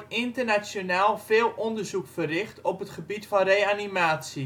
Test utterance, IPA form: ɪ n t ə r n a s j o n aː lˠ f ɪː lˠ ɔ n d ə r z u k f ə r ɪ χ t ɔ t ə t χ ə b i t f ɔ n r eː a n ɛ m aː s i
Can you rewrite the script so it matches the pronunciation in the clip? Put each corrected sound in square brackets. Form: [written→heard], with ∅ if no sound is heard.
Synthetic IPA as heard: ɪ n t ə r n a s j o n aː lˠ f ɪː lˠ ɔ n d ə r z u k f ə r ɪ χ t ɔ [t→p] ə t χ ə b i t f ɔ n r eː a n [ɛ→i] m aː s i